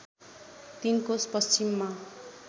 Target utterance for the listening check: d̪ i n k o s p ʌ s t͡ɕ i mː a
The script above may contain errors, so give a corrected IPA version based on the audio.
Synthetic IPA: t̪ i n k o s p ʌ s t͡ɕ i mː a